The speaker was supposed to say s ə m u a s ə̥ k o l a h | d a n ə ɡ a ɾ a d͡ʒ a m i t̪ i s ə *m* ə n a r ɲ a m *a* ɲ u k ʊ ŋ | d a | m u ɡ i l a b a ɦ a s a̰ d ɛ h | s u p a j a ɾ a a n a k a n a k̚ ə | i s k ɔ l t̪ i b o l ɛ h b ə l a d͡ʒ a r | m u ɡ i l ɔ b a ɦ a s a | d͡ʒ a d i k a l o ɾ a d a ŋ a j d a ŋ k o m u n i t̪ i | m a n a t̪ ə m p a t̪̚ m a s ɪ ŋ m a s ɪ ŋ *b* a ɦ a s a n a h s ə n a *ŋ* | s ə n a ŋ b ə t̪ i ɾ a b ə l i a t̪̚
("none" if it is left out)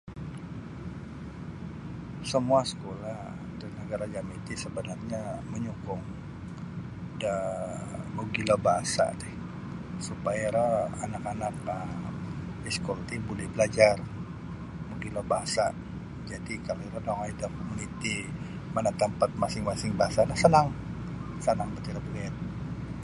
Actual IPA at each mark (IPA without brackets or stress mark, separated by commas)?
b, ə, b, ŋ